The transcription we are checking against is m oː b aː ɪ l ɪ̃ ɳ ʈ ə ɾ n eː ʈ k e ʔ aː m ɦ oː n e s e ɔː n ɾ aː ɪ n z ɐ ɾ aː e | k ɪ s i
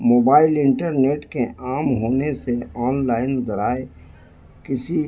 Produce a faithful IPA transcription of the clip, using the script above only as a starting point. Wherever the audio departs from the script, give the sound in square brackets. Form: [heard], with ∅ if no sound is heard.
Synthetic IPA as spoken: m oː b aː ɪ l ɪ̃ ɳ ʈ ə ɾ n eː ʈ k e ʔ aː m ɦ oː n e s e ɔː n [l] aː ɪ n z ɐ ɾ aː e | k ɪ s i

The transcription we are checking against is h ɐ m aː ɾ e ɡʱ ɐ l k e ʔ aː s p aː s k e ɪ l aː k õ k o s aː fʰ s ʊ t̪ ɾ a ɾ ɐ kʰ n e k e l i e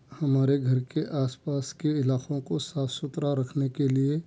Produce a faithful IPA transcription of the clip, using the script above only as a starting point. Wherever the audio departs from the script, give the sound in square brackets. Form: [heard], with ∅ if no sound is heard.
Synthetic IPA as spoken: h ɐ m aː ɾ e ɡʱ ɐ [ɾ] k e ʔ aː s p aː s k e ɪ l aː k õ k o s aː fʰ s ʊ t̪ ɾ a ɾ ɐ kʰ n e k e l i e

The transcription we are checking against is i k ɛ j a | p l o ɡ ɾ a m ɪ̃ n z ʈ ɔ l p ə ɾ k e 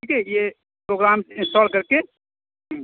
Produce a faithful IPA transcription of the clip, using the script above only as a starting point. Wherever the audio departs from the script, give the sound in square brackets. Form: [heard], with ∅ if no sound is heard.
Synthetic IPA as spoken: i k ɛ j [e] | p [ɾ] o ɡ ɾ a m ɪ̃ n [s] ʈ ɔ l [k] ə ɾ k e

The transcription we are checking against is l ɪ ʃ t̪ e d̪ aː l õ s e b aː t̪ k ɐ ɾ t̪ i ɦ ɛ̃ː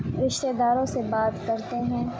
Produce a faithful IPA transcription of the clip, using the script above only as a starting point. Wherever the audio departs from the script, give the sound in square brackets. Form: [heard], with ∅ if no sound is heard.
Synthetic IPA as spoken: [ɾ] ɪ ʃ t̪ e d̪ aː [ɾ] õ s e b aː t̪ k ɐ ɾ t̪ [e] ɦ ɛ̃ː

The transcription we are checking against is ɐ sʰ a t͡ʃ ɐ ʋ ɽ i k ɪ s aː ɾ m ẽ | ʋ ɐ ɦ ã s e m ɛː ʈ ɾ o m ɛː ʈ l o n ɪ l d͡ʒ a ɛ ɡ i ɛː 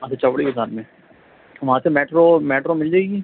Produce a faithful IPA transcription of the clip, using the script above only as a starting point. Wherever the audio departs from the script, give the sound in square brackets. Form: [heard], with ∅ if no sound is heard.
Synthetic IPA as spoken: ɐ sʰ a t͡ʃ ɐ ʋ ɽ i k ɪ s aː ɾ m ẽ | ʋ ɐ ɦ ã s e m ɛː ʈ ɾ o m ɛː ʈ [ɾ] o [m] ɪ l d͡ʒ a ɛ ɡ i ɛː

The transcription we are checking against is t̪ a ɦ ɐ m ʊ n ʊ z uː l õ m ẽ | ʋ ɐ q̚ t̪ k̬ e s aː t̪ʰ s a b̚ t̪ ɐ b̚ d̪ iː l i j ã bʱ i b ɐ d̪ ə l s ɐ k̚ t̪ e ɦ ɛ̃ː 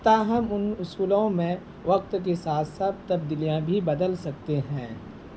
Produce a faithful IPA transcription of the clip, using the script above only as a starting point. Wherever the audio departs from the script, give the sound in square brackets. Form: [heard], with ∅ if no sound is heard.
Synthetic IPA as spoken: t̪ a ɦ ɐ m ʊ n ʊ [s] uː l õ m ẽ | ʋ ɐ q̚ t̪ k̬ e s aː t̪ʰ s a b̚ t̪ ɐ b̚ d̪ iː l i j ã bʱ i b ɐ d̪ ə l s ɐ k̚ t̪ e ɦ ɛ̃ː

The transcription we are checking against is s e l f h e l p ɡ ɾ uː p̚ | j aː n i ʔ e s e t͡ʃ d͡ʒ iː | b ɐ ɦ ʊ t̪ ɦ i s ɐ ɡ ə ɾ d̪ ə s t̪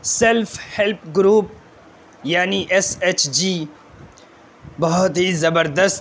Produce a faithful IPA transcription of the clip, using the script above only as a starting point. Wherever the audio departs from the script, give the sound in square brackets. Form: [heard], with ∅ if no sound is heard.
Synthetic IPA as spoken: s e l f h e l p ɡ ɾ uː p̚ | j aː n i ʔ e s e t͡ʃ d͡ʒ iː | b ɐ ɦ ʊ t̪ ɦ i [z] ɐ [b] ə ɾ d̪ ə s t̪

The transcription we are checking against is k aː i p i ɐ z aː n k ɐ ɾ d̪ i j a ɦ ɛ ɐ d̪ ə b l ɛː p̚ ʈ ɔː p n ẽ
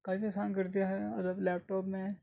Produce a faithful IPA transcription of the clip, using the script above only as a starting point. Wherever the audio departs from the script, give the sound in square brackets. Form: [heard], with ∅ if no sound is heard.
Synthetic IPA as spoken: k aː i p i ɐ [s] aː n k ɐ ɾ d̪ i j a ɦ ɛ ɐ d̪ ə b l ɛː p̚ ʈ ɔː p [m] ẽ

